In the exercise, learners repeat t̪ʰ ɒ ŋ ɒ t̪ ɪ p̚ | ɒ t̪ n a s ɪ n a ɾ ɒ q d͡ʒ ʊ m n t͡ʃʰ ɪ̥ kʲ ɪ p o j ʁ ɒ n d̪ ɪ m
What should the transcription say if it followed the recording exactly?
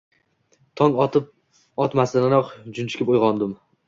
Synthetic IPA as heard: t̪ʰ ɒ ŋ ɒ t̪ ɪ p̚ | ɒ t̪ m a s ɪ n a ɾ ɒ q d͡ʒ ʊ n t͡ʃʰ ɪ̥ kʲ ɪ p o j ʁ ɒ n d̪ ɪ m